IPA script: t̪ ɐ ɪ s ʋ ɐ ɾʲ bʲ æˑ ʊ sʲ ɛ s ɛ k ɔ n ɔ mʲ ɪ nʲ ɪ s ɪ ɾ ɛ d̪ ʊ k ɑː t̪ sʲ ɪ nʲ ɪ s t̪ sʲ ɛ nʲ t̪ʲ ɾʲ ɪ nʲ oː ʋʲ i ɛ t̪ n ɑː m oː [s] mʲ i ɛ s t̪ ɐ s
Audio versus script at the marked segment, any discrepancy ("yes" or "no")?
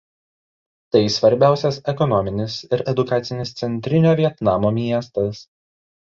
yes